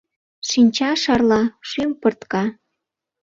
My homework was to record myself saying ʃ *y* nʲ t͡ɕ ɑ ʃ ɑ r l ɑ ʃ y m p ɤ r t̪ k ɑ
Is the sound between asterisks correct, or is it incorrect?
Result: incorrect